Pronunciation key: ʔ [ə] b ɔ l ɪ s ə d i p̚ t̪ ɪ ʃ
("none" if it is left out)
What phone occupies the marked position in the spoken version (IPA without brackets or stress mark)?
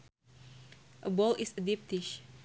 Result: ə